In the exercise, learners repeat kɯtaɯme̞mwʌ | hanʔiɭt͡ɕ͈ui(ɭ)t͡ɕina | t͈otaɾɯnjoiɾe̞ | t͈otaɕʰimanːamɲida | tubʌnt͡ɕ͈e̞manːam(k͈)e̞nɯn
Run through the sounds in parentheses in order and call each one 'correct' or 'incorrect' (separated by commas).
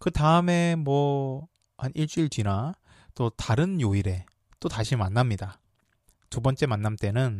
correct, incorrect